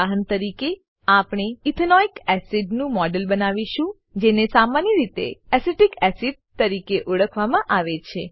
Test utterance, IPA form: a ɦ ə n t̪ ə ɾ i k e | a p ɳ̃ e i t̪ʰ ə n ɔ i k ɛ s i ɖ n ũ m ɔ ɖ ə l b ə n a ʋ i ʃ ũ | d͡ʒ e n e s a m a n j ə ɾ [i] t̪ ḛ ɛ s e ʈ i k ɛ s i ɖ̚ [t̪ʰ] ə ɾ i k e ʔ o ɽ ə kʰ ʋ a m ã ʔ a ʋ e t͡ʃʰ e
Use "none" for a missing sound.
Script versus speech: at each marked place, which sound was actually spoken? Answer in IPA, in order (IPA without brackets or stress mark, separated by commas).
i, t̪